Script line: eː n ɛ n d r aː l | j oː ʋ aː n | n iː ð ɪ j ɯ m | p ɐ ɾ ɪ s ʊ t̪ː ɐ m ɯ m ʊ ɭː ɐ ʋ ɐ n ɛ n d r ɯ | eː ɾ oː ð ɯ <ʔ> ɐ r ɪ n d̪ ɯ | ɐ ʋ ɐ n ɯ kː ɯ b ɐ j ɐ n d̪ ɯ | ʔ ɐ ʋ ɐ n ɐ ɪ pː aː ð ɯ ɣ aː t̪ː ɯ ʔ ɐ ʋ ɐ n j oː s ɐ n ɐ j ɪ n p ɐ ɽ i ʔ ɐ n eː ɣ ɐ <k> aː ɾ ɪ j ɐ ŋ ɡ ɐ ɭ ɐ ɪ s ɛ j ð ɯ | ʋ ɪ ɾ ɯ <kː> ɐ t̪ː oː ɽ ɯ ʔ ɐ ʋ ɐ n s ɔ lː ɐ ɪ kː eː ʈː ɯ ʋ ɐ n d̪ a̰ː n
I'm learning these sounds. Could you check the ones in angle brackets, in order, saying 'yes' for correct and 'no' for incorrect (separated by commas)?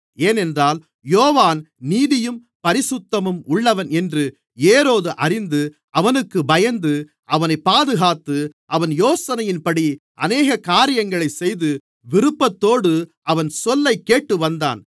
yes, yes, no